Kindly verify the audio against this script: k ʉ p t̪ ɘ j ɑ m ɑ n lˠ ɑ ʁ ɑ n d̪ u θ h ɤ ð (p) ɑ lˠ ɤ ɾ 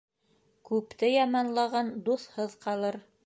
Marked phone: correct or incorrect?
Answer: incorrect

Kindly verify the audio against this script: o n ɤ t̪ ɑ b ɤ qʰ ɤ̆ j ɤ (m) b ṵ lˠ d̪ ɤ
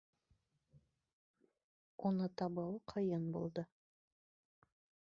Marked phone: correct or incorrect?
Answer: incorrect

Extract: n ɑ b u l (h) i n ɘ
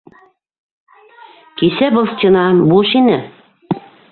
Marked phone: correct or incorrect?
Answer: incorrect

